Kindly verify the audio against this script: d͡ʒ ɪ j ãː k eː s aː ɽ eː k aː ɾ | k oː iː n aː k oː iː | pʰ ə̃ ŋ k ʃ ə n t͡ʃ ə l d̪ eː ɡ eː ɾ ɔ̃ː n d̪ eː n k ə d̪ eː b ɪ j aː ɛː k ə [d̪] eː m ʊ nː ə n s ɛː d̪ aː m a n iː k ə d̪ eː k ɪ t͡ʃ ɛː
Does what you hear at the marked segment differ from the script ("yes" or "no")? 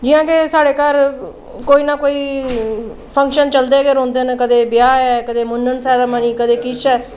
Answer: no